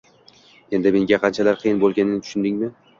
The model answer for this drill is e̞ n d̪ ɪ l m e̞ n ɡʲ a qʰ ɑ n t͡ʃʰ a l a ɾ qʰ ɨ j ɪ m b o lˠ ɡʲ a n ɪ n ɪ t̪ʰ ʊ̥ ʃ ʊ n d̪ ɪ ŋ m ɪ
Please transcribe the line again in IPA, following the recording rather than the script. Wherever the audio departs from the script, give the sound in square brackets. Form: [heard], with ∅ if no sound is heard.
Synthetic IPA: e̞ n d̪ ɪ [∅] m e̞ [ŋ] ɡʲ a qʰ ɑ n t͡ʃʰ a l a ɾ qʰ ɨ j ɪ [n] b o lˠ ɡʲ a n ɪ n ɪ t̪ʰ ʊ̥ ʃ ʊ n d̪ ɪ ŋ m ɪ